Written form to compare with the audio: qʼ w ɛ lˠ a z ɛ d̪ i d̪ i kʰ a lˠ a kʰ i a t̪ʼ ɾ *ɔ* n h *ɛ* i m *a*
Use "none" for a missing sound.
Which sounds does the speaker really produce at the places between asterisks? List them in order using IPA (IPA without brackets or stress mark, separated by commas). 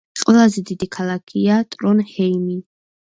ɔ, ɛ, i